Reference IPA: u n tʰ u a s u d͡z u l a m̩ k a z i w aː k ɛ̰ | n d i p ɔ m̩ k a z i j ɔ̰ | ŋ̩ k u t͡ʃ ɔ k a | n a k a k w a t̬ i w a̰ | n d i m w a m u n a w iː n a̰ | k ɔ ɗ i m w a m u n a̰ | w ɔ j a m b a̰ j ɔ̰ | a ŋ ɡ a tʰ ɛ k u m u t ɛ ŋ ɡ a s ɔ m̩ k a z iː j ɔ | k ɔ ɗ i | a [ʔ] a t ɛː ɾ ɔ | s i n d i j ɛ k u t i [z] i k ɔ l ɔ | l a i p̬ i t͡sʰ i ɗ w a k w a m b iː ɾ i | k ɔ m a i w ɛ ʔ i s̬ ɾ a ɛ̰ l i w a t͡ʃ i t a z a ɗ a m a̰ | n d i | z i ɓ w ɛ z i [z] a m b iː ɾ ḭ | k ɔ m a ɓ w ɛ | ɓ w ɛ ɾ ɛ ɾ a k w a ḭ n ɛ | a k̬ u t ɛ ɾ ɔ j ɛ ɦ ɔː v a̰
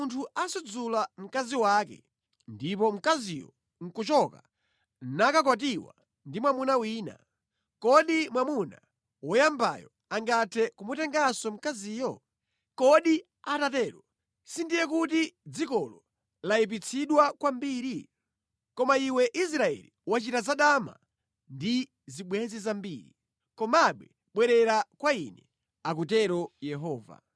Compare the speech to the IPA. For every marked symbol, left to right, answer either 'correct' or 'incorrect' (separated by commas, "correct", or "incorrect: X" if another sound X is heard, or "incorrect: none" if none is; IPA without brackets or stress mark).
incorrect: t, incorrect: d͡z, correct